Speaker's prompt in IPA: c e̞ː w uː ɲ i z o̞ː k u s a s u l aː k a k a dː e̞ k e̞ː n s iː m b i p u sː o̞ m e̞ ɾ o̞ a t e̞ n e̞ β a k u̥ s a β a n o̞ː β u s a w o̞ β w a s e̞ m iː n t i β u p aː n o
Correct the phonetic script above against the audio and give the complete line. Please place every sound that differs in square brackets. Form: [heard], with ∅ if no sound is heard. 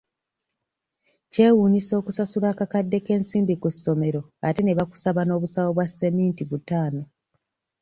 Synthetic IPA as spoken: c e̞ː w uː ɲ i [s] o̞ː k u s a s u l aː k a k a dː e̞ k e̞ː n s iː m b i [k] u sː o̞ m e̞ ɾ o̞ a t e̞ n e̞ β a k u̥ s a β a n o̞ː β u s a w o̞ β w a s e̞ m iː n t i β u [t] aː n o